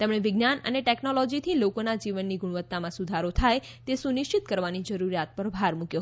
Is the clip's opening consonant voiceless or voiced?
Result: voiceless